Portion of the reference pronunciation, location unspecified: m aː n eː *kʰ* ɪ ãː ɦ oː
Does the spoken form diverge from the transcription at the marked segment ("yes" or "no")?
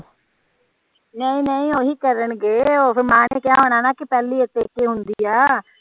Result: yes